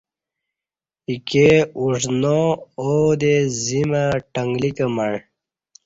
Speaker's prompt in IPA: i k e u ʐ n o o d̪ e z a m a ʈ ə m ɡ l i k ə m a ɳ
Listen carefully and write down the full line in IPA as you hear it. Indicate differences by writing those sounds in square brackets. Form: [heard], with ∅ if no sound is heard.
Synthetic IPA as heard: i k e u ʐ n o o d̪ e z [i] m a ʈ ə [ŋ] ɡ l i k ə m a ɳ